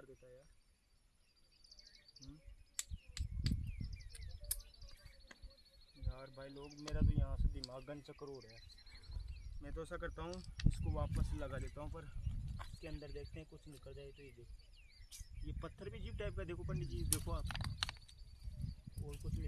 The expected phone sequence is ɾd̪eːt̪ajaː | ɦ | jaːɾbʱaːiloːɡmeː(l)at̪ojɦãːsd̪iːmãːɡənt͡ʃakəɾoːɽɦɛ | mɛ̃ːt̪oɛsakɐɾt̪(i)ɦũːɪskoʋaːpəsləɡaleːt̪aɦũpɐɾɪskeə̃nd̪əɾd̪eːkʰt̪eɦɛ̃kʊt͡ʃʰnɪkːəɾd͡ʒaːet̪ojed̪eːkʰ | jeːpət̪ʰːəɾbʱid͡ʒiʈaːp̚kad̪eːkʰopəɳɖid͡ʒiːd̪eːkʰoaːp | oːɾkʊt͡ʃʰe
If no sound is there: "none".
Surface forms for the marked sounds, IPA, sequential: ɾ, a

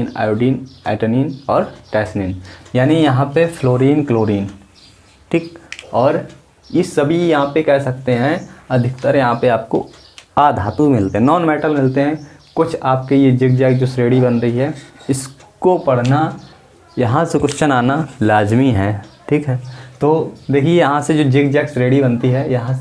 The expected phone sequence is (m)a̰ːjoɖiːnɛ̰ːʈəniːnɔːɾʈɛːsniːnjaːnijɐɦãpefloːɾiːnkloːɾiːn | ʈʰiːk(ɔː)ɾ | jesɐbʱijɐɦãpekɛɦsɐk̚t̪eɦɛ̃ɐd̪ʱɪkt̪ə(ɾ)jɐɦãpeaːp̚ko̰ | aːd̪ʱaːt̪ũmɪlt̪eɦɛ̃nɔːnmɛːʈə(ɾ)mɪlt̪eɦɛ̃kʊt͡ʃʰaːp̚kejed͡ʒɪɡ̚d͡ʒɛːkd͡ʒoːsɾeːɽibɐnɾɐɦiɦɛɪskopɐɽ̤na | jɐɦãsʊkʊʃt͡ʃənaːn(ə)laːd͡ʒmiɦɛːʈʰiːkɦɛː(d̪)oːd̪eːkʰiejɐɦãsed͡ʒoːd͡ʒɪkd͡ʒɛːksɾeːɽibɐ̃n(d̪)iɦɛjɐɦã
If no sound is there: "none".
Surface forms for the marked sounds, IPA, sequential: n, ɔː, ɾ, l, a, t̪, t̪

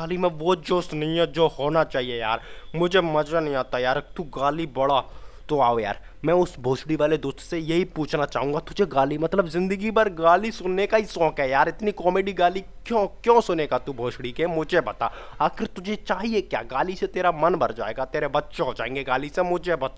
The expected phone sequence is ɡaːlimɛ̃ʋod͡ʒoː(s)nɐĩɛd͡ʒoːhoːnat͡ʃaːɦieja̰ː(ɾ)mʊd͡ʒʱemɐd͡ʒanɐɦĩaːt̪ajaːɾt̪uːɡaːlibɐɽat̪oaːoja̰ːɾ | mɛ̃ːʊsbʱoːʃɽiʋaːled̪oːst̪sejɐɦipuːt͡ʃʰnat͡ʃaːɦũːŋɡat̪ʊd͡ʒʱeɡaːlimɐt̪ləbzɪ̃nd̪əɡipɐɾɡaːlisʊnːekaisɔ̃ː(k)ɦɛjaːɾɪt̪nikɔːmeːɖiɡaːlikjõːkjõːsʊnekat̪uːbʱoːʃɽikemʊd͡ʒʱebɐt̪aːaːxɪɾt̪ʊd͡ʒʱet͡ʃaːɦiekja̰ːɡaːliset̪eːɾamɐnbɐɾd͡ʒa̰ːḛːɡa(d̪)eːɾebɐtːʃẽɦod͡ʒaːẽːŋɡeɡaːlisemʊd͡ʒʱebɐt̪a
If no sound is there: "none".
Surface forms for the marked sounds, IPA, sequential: s, ɾ, k, t̪

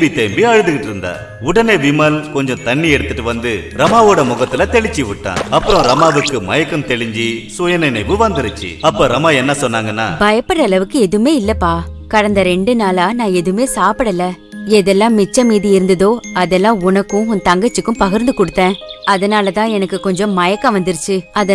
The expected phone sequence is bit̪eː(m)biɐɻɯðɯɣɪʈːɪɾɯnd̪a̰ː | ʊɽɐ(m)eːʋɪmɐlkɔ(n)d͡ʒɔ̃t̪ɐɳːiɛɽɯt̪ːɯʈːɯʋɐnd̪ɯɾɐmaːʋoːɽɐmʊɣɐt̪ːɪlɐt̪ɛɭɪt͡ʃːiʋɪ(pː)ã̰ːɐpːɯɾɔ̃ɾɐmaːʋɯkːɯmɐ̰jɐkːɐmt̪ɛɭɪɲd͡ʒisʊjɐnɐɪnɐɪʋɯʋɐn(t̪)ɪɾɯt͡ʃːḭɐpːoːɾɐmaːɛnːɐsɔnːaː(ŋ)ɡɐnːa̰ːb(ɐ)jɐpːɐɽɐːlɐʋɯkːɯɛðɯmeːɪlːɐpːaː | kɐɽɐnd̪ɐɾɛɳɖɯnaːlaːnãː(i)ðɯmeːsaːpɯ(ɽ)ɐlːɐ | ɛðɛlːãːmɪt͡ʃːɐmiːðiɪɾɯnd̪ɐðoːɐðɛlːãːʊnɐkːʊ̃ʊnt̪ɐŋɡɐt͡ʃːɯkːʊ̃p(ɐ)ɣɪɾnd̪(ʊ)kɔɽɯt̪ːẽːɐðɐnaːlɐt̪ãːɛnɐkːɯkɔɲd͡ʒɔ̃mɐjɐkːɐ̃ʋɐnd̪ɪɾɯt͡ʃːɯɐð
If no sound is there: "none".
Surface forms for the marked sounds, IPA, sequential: m, n, ɲ, ʈː, d̪, ŋ, ɐ, ɛ, ɽ, ɐ, ɯ

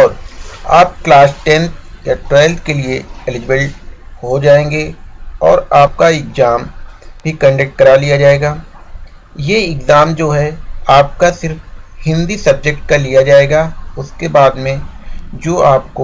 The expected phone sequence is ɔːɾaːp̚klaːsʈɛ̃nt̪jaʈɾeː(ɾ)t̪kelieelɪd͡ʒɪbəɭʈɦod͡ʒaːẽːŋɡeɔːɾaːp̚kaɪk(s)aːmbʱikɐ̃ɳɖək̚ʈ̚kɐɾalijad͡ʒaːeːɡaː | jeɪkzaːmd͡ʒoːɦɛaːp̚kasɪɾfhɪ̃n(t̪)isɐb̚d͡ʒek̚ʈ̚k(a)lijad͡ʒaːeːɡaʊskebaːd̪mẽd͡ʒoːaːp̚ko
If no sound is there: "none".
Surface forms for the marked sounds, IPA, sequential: l, z, d̪, a

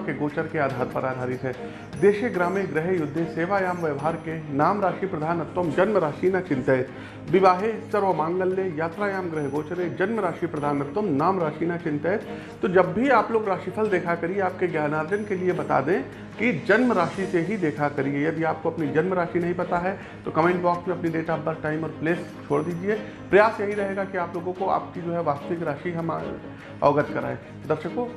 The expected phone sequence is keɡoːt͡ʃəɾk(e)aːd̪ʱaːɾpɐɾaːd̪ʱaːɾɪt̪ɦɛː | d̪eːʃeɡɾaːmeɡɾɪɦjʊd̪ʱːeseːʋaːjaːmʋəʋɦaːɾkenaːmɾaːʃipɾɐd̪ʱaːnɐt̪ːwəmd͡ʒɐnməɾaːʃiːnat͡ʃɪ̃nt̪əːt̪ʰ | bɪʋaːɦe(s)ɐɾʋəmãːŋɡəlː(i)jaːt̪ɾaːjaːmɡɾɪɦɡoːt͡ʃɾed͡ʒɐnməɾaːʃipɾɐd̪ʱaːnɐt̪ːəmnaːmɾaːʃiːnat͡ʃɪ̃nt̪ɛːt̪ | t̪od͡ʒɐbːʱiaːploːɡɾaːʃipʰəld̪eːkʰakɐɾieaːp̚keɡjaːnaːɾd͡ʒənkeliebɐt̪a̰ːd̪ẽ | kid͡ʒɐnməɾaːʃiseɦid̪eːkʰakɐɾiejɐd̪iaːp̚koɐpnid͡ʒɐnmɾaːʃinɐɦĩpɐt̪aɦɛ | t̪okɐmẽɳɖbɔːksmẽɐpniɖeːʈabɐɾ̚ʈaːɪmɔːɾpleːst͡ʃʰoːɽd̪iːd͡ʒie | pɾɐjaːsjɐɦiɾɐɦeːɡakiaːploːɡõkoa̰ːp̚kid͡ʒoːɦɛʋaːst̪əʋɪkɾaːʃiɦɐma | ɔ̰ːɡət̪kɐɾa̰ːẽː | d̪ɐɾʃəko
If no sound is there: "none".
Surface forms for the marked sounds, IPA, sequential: e, s, e

